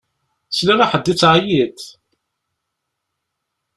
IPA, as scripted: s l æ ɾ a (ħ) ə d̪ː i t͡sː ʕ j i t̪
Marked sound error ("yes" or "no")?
no